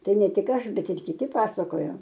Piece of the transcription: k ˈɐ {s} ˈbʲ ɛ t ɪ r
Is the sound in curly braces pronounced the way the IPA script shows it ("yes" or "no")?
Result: no